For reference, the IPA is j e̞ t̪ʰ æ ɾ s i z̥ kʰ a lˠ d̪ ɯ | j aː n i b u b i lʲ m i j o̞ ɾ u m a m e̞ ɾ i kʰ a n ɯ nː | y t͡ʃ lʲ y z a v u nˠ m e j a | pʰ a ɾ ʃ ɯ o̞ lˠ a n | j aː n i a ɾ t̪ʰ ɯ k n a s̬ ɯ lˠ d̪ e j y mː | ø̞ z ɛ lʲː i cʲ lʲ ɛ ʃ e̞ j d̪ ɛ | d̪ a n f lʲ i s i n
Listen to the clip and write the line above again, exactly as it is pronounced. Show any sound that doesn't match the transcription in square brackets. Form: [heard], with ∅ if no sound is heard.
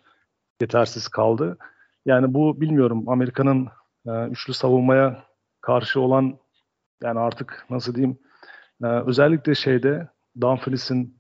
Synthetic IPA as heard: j e̞ t̪ʰ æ ɾ s i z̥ kʰ a lˠ d̪ ɯ | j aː n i b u b i lʲ m i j o̞ ɾ u m a m e̞ ɾ i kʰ a n ɯ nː | y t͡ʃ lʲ y [s] a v u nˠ m [a] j a | [kʰ] a ɾ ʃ ɯ o̞ lˠ a n | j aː n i a ɾ t̪ʰ ɯ k n a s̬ ɯ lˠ d̪ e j [i] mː | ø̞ z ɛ lʲː i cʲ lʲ ɛ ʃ e̞ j d̪ ɛ | d̪ a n f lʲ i s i n